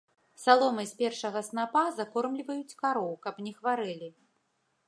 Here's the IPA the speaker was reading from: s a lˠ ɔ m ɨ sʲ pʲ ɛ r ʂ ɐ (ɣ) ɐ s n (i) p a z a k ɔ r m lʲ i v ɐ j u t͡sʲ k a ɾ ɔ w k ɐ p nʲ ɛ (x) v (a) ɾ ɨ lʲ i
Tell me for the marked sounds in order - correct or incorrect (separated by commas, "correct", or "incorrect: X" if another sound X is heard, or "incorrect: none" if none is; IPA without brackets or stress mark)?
correct, incorrect: a, correct, correct